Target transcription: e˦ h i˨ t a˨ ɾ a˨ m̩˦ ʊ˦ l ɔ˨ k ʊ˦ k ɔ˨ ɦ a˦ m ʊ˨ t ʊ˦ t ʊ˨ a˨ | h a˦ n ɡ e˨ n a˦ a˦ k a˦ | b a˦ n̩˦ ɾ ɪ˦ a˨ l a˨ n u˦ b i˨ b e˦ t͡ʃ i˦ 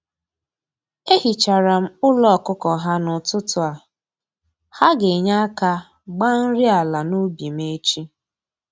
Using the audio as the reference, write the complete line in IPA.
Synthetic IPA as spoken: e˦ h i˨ t͡ʃ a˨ ɾ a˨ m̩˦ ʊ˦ l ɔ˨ k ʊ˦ k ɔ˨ ɦ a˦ n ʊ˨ t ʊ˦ t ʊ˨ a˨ | h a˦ ɡ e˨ ɲ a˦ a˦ k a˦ | ɡ͡b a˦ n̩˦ ɾ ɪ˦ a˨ l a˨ n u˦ b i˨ m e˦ t͡ʃ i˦